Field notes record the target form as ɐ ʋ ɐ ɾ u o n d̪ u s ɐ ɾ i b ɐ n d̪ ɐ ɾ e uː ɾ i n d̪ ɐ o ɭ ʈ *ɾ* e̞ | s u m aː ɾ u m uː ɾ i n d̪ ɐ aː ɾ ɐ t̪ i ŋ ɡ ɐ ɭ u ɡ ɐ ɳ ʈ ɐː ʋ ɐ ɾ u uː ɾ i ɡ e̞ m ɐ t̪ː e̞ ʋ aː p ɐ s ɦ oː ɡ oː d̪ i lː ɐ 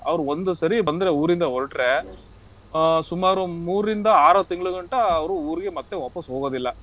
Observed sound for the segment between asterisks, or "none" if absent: ɾ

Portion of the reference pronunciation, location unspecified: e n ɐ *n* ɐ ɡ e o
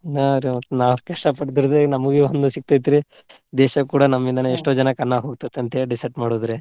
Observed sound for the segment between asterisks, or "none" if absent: m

